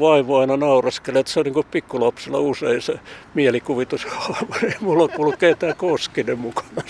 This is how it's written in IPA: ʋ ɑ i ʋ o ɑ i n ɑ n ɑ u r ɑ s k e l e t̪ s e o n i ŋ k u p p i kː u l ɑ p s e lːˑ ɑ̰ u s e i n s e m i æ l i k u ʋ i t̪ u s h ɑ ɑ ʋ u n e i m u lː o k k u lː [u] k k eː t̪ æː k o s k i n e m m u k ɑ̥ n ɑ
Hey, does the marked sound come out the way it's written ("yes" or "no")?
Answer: yes